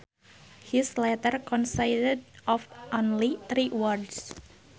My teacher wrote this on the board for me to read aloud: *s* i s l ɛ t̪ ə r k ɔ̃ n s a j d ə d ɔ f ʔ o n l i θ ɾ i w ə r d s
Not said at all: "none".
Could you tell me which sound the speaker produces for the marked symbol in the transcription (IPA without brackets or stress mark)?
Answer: h